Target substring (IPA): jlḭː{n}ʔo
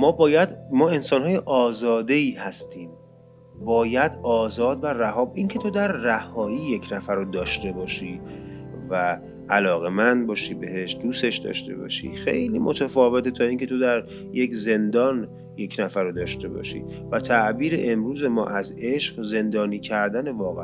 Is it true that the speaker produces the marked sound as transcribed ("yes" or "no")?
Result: no